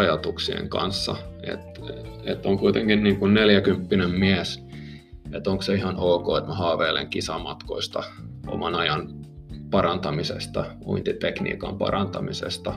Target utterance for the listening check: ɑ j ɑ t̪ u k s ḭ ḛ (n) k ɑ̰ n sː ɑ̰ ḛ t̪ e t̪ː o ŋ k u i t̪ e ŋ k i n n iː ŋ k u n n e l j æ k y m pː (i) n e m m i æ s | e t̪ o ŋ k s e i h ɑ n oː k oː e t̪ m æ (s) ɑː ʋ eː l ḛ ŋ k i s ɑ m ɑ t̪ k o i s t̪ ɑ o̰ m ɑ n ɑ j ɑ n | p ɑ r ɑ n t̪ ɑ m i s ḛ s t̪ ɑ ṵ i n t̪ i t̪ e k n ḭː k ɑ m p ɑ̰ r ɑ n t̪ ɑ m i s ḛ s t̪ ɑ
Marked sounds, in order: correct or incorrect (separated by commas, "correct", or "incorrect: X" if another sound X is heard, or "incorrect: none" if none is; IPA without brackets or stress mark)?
incorrect: ŋ, correct, incorrect: h